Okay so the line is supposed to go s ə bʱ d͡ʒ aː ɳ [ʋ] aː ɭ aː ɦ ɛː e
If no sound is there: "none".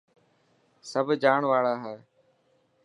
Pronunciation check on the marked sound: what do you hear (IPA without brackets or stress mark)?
ʋ